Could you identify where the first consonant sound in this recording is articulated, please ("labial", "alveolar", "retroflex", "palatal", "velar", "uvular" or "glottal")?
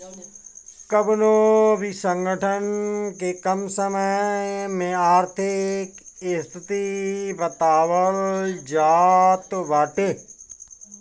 velar